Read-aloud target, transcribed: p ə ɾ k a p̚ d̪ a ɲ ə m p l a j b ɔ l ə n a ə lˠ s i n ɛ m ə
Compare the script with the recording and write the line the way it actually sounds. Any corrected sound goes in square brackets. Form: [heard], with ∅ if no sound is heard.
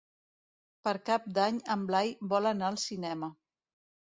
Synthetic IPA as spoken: p ə ɾ k a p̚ d̪ a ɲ ə m [b] l a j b ɔ l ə n a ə lˠ s i n ɛ m ə